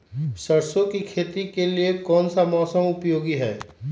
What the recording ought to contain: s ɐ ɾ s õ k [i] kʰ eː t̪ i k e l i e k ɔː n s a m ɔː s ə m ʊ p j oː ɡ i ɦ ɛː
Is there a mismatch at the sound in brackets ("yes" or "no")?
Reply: no